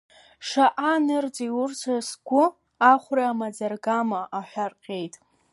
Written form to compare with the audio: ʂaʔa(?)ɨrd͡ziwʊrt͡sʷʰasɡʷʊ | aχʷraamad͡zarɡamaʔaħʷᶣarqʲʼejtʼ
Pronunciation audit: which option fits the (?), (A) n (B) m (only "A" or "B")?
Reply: A